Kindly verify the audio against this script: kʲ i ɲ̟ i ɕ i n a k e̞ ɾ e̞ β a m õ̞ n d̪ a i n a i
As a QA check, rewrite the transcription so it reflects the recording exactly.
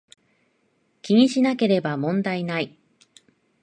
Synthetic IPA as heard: kʲ i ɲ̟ i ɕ i n a k e̞ ɾ e̞ b a m õ̞ n d̪ a i n a i